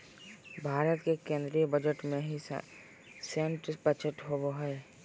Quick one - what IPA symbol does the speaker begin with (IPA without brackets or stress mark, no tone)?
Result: bʱ